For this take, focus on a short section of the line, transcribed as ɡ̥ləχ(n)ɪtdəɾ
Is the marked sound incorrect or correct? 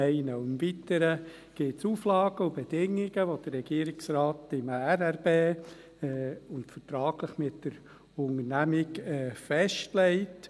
incorrect